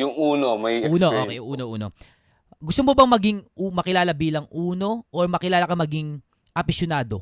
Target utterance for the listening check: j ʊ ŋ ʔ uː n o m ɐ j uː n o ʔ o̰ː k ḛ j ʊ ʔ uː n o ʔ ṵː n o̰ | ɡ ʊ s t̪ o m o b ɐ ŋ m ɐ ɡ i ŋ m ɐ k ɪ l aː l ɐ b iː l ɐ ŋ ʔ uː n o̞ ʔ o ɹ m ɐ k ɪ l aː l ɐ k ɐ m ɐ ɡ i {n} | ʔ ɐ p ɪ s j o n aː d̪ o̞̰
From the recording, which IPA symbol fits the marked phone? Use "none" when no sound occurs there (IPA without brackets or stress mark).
ŋ